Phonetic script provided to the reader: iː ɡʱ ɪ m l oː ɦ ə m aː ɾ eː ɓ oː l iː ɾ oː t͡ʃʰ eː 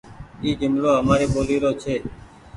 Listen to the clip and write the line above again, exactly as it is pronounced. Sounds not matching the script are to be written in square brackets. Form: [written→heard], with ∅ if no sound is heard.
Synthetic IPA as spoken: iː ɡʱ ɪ m l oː ɦ ə m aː ɾ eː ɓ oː l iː ɾ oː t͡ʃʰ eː

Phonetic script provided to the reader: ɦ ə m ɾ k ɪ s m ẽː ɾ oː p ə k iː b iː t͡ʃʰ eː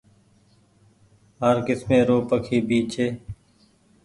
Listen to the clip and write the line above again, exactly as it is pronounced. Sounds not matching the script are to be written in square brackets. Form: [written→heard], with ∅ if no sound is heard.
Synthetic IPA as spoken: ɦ ə [m→∅] ɾ k ɪ s m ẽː ɾ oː p ə [k→kʰ] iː b iː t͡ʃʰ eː

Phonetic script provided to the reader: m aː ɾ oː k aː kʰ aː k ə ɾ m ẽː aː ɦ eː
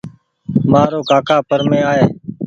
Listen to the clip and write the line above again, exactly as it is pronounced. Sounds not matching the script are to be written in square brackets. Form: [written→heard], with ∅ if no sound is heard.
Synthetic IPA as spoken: m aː ɾ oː k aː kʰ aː [k→p] ə ɾ m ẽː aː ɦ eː

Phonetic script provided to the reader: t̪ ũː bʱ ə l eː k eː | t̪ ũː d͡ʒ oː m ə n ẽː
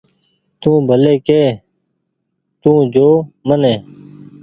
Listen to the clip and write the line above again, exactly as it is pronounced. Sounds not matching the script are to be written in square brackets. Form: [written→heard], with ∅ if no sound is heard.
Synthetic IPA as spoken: t̪ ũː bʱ ə l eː k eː | t̪ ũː d͡ʒ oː m ə n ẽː

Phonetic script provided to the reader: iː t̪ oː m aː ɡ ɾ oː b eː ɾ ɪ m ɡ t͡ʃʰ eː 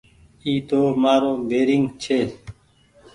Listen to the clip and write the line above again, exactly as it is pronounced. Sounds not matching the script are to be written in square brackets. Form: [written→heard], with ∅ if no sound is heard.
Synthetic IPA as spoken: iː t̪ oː m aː [ɡ→∅] ɾ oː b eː ɾ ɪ [m→ŋ] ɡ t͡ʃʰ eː

